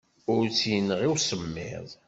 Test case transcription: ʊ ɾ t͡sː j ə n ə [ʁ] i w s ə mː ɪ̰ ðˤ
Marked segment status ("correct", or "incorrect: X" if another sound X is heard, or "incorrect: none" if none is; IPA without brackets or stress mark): correct